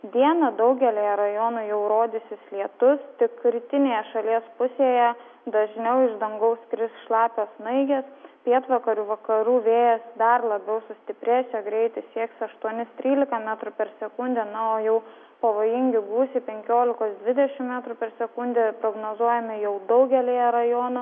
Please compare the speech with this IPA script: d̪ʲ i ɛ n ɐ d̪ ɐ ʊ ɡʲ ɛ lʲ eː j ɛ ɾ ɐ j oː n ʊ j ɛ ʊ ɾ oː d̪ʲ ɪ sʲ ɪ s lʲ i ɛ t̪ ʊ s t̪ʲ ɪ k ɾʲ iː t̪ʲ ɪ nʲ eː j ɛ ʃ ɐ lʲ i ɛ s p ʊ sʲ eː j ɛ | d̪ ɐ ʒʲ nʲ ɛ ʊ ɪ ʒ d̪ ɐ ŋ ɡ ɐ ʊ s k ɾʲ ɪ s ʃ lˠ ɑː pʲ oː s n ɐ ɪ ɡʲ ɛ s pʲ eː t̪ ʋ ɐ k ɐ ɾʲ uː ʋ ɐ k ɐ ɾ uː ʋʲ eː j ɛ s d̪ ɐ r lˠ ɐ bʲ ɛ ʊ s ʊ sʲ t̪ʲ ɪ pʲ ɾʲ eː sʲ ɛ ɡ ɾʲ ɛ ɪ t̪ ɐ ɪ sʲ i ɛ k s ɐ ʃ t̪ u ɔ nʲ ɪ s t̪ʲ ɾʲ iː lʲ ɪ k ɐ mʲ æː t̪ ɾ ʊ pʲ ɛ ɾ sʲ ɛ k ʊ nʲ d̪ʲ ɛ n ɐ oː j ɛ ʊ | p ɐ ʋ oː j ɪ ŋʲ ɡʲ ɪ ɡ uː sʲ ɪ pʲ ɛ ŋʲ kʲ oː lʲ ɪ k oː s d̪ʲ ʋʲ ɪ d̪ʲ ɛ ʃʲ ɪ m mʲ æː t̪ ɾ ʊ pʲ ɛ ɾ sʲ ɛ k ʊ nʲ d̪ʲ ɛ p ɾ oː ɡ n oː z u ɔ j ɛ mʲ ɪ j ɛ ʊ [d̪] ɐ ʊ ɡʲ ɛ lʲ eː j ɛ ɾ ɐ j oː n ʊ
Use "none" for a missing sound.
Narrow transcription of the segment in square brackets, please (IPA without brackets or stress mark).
d̪